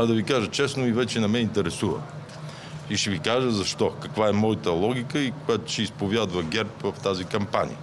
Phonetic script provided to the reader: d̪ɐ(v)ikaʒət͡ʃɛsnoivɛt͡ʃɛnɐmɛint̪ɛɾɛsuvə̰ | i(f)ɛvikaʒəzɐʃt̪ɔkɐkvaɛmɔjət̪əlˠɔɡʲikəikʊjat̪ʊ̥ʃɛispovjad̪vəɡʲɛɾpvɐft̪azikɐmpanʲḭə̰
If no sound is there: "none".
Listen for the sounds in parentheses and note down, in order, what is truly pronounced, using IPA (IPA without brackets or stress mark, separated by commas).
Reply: v, ʃ